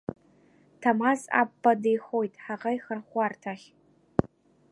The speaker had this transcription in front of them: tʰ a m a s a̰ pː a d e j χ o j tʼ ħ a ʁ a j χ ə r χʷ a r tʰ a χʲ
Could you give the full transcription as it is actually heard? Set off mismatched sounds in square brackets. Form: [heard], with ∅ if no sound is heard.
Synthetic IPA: tʰ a m a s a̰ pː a d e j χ o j tʼ ħ a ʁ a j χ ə r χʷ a r tʰ a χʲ